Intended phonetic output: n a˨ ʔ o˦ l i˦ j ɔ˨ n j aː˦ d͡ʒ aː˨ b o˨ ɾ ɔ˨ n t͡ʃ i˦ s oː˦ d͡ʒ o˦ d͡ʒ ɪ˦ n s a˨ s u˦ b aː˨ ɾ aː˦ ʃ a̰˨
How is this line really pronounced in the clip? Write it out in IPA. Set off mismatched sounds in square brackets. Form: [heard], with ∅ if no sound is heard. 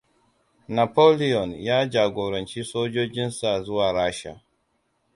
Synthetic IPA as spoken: n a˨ [p] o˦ l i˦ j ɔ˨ n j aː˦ d͡ʒ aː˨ [ɡ] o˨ ɾ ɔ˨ n t͡ʃ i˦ s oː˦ d͡ʒ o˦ d͡ʒ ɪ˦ n s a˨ [z] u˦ [w] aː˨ ɾ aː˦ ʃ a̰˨